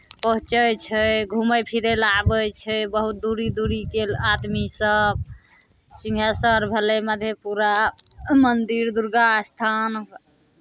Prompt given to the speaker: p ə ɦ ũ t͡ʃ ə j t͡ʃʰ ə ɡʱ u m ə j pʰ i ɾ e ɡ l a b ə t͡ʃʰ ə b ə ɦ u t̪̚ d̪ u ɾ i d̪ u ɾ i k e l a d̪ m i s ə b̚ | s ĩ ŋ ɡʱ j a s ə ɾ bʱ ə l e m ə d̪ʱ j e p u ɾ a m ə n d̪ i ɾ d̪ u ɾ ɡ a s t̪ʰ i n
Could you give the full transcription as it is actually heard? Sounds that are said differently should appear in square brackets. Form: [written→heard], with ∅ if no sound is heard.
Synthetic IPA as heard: p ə ɦ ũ t͡ʃ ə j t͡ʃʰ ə ɡʱ u m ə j pʰ i ɾ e [ɡ→∅] l a b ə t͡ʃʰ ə b ə ɦ u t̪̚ d̪ u ɾ i d̪ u ɾ i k e l a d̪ m i s ə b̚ | s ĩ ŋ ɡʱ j a s ə ɾ bʱ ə l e m ə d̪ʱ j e p u ɾ a m ə n d̪ i ɾ d̪ u ɾ ɡ a s t̪ʰ [i→a] n